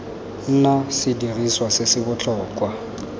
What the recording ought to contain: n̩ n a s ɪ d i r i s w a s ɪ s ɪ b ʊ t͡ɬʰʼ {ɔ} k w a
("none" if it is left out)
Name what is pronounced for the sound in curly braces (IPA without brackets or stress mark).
ɔː